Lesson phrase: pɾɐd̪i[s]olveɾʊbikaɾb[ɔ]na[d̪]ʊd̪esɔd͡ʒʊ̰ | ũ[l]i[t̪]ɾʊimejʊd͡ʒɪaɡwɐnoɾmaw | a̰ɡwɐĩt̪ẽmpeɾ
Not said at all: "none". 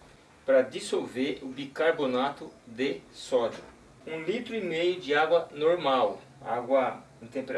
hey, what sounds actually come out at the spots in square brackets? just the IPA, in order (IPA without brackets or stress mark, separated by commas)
s, o, t̪, l, t̪